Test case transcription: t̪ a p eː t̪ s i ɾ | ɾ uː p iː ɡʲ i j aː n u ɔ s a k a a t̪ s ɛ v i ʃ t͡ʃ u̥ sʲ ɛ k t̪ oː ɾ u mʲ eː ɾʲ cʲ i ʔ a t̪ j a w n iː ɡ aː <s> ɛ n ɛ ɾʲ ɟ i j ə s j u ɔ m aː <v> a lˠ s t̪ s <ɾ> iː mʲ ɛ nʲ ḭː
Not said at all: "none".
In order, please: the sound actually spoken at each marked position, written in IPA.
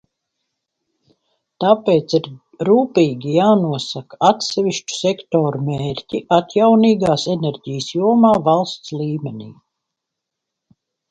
s, v, l

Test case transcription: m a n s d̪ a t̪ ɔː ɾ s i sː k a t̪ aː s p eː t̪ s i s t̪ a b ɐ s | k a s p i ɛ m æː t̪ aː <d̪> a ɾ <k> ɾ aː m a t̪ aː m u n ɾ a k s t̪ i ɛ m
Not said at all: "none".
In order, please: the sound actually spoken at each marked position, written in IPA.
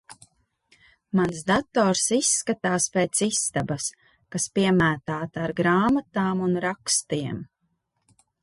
t̪, ɡ

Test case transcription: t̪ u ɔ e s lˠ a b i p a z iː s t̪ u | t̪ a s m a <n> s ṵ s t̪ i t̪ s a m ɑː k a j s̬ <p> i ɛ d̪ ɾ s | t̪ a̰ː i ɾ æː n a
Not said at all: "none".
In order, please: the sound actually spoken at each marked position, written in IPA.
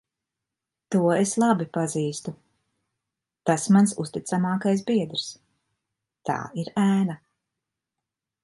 n, b

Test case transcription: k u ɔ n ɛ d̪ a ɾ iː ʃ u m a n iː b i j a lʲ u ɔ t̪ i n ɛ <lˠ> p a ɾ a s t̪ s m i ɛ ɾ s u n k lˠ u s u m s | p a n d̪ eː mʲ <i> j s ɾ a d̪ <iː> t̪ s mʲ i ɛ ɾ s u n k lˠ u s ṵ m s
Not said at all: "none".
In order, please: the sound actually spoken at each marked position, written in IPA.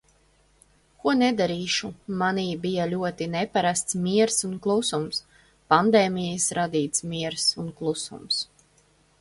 none, i, iː

